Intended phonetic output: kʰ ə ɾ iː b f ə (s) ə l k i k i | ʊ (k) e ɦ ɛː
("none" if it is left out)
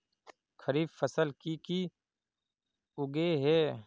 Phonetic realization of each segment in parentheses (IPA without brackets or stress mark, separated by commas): s, ɡ